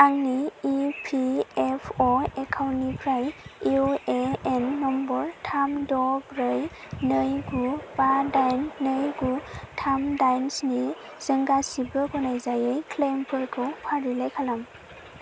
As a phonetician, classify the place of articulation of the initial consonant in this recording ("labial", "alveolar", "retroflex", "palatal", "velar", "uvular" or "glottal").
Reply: velar